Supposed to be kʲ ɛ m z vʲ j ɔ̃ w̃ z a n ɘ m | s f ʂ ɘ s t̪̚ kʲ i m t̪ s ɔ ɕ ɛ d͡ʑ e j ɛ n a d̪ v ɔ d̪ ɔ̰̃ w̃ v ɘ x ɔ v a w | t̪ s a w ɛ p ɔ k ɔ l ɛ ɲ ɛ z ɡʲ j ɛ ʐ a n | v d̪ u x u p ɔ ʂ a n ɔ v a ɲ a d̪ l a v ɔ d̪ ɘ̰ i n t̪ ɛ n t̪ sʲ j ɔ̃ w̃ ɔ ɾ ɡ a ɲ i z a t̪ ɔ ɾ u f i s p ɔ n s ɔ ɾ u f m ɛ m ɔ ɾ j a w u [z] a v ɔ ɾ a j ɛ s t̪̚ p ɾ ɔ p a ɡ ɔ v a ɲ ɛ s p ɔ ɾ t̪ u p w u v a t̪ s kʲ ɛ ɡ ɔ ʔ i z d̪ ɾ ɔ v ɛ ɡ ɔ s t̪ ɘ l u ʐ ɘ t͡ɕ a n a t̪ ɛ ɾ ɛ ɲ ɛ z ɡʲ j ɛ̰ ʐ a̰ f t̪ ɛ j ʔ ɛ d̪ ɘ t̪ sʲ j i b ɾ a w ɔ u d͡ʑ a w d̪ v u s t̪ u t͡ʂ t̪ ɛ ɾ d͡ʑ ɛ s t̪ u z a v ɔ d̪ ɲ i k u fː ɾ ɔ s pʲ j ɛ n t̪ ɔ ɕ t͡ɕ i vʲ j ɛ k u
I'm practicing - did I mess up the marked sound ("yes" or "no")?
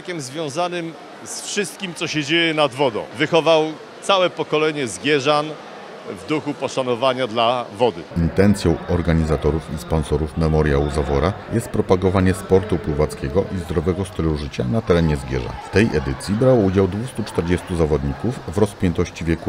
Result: no